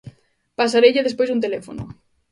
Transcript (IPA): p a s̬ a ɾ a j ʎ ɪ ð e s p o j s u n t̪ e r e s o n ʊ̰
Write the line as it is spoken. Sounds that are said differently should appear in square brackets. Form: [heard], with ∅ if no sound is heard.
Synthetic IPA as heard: p a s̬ a ɾ [e] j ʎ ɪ ð e s p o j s u n t̪ e [l] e [f] o n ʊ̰